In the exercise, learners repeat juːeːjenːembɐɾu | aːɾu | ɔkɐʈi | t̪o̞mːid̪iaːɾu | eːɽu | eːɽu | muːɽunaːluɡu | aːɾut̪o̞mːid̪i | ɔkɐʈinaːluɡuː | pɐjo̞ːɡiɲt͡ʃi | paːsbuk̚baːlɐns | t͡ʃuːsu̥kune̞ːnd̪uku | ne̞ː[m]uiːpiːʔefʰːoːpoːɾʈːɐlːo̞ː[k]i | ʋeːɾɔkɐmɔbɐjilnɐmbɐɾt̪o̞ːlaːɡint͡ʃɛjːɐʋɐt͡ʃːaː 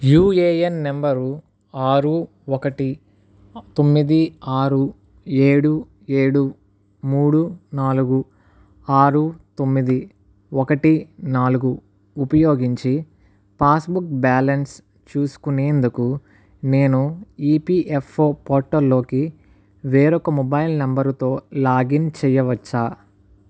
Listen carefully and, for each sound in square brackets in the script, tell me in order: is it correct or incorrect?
incorrect, correct

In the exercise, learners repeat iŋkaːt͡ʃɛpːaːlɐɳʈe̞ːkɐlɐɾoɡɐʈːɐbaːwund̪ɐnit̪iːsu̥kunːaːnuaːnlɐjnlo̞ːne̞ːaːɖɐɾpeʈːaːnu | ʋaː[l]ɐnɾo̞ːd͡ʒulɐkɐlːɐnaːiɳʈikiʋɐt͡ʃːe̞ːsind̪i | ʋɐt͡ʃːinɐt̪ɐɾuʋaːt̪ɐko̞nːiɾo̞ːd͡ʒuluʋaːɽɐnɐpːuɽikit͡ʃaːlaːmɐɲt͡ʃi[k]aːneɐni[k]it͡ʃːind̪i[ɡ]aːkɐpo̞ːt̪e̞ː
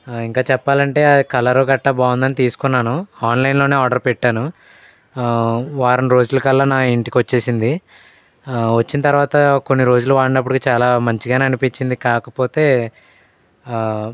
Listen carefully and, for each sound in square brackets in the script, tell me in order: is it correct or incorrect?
incorrect, incorrect, incorrect, incorrect

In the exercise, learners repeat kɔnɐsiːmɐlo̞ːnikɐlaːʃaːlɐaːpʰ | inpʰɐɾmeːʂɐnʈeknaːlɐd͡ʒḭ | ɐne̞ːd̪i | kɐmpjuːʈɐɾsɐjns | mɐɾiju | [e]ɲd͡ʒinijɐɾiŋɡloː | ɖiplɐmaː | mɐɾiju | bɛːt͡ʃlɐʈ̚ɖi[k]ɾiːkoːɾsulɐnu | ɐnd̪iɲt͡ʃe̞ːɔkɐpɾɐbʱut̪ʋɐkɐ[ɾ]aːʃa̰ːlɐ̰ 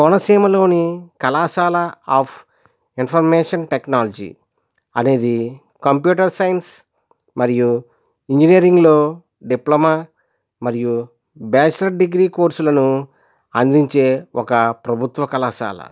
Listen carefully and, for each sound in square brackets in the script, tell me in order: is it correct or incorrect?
incorrect, incorrect, incorrect

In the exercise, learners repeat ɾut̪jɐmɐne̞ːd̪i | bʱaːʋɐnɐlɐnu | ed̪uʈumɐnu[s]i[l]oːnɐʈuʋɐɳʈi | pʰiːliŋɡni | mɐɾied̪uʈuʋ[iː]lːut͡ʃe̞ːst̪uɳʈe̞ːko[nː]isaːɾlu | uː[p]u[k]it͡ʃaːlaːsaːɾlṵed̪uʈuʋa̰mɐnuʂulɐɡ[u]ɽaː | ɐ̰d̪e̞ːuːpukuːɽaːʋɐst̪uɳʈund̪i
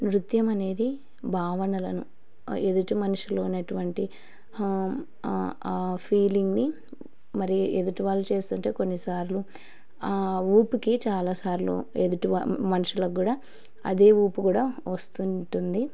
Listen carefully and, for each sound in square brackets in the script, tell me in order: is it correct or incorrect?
incorrect, correct, incorrect, correct, correct, correct, incorrect

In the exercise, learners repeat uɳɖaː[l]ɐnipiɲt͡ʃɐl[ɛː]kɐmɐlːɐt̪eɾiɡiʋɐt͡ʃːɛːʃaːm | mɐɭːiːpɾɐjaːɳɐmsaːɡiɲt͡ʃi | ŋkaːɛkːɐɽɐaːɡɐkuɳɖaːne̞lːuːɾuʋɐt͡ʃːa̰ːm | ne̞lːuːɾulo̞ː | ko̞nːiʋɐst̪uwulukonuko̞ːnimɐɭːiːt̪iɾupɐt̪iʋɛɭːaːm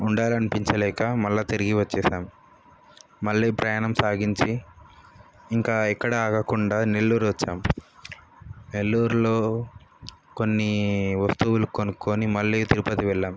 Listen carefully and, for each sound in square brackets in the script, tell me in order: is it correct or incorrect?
correct, correct

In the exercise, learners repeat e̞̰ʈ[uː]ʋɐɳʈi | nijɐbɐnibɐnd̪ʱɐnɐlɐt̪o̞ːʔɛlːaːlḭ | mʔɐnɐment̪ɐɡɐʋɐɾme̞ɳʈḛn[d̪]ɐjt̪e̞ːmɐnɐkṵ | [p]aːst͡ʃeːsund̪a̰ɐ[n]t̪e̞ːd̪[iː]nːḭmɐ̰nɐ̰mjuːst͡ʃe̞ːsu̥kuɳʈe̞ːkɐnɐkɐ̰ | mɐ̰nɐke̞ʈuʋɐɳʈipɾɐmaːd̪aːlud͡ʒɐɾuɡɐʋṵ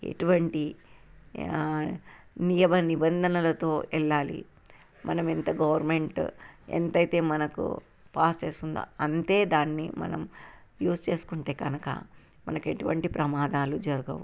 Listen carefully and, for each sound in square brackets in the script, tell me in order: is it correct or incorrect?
incorrect, incorrect, correct, correct, incorrect

